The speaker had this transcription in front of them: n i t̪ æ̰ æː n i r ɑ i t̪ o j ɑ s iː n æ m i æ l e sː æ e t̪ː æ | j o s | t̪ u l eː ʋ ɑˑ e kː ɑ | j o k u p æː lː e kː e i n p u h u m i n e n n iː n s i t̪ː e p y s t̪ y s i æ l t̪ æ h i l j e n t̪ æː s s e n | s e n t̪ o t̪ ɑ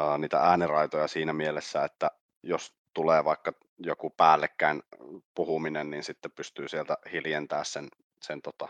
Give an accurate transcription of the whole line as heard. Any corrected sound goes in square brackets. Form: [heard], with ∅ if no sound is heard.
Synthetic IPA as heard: n [iː] t̪ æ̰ æː n i r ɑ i t̪ o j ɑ s iː n æ m i [e] l e sː æ e t̪ː æ | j o s | t̪ u l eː ʋ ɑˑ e kː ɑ | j o k u p æː lː e kː [æ] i n p u h u m i n e n n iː n s i t̪ː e p y s t̪ [yː] s i [e] l t̪ æ h i l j e n t̪ æː s s e n | s e n t̪ o t̪ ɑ